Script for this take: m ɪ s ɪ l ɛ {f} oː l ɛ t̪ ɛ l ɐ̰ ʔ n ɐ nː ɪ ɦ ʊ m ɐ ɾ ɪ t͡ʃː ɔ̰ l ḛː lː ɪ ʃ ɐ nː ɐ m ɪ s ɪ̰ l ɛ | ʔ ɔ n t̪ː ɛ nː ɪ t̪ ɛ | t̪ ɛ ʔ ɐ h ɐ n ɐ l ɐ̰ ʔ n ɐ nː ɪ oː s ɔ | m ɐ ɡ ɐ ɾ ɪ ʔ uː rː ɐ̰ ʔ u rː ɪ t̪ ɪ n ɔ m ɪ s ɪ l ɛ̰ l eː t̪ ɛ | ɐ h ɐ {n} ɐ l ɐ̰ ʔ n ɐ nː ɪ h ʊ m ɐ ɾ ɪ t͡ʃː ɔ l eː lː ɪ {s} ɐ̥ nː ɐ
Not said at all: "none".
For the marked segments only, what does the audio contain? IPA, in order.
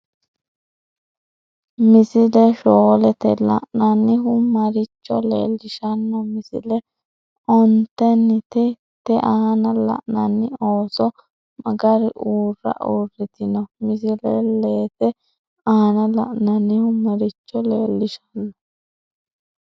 ʃ, n, ʃ

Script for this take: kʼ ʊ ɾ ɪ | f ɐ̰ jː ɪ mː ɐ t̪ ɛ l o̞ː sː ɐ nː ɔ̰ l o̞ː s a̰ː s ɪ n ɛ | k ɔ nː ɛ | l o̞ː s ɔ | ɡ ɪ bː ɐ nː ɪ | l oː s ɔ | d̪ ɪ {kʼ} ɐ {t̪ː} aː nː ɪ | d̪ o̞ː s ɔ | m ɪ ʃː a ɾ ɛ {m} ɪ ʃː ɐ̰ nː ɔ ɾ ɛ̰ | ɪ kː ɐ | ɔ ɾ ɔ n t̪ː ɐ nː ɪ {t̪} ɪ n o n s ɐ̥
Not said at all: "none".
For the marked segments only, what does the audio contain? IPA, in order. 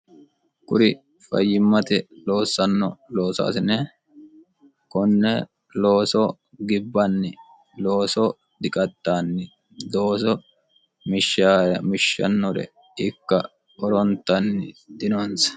kʼ, t̪ː, m, d̪

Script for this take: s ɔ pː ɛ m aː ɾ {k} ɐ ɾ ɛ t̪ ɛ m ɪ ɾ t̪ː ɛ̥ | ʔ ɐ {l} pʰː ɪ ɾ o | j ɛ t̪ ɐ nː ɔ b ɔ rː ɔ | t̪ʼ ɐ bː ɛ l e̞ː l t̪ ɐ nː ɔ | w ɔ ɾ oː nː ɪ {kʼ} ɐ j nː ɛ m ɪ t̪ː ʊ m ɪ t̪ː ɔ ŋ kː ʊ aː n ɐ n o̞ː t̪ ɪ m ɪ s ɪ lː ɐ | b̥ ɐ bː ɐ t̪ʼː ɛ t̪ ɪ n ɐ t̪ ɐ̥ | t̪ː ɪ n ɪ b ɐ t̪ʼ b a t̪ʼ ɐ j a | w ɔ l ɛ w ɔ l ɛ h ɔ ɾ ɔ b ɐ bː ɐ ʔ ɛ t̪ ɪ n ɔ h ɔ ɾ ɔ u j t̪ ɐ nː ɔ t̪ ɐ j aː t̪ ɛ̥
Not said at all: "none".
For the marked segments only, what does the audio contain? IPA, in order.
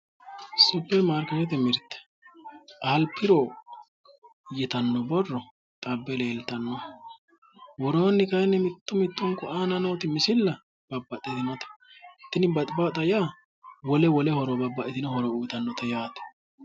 k, l, k

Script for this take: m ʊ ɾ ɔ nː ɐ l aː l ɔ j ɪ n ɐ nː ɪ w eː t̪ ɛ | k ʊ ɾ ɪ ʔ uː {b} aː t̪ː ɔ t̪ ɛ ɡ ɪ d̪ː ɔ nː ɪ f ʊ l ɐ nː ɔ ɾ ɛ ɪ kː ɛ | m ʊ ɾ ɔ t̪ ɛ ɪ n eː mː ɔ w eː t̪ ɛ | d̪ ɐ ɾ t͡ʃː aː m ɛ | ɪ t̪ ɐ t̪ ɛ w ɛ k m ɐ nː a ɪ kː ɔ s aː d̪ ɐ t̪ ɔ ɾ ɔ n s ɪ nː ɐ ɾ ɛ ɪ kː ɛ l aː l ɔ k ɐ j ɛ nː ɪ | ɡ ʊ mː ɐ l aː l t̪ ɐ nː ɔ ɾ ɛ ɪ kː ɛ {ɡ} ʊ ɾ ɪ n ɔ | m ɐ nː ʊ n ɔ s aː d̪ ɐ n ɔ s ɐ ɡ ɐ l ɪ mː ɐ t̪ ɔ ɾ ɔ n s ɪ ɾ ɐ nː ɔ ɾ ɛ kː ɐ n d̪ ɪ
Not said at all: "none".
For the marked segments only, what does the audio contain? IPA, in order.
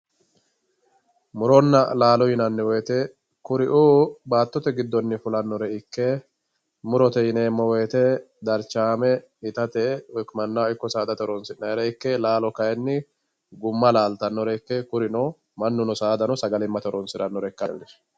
b, k

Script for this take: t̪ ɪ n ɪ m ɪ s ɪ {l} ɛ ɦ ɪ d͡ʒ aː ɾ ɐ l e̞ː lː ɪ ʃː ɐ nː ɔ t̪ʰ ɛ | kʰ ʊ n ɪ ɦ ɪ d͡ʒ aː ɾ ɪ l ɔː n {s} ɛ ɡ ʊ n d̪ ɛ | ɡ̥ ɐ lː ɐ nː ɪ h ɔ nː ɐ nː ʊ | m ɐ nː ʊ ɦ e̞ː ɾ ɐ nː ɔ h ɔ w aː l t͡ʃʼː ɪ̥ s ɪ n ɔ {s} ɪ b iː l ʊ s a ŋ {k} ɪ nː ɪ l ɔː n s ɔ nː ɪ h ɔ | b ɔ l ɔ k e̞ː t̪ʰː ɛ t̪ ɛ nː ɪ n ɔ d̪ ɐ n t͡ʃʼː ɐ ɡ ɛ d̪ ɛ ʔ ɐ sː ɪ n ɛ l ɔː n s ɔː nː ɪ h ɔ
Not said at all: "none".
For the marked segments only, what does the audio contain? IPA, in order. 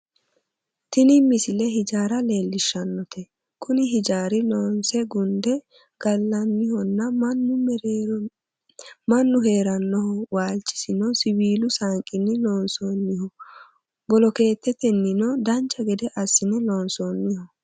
l, s, s, kʼ

